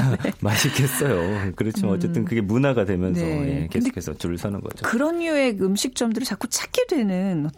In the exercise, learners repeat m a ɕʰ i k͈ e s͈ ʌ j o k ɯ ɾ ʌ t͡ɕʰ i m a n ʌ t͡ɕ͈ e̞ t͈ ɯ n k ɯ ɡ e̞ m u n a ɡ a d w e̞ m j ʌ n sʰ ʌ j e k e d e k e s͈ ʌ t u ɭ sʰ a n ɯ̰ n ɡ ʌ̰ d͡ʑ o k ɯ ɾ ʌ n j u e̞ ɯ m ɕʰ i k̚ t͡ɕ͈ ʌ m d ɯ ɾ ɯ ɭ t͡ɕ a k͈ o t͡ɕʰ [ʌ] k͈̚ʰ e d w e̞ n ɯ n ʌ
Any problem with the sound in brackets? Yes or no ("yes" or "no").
yes